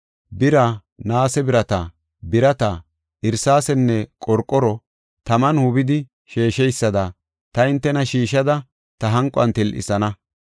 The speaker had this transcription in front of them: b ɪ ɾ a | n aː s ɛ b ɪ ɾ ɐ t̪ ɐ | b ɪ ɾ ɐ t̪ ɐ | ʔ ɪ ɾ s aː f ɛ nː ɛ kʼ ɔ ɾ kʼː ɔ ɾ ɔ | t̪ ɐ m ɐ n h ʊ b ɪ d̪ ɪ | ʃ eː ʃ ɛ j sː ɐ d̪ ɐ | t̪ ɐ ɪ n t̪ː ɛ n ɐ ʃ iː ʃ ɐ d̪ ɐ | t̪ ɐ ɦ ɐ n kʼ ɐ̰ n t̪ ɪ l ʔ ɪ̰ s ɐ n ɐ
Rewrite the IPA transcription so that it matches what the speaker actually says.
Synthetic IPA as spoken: b ɪ ɾ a | n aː s ɛ b ɪ ɾ ɐ t̪ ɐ | b ɪ ɾ ɐ t̪ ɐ | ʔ ɪ ɾ s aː s ɛ nː ɛ kʼ ɔ ɾ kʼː ɔ ɾ ɔ | t̪ ɐ m ɐ n h ʊ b ɪ d̪ ɪ | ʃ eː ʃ ɛ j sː ɐ d̪ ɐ | t̪ ɐ ɪ n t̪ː ɛ n ɐ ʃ iː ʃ ɐ d̪ ɐ | t̪ ɐ ɦ ɐ ŋ kʼ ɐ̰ n t̪ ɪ l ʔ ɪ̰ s ɐ n ɐ